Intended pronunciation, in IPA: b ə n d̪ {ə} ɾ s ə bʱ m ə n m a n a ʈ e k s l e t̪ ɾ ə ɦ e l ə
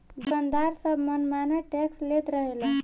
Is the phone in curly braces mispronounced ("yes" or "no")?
yes